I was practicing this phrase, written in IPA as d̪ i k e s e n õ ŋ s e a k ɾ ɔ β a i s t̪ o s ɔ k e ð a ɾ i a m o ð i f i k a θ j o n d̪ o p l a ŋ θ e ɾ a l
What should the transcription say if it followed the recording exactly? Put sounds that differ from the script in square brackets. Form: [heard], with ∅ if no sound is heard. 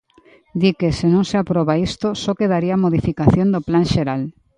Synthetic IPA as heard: d̪ i k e s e n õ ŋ s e a [p] ɾ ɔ β a i s t̪ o s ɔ k e ð a ɾ i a m o ð i f i k a θ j o n d̪ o p l a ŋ [ʃ] e ɾ a l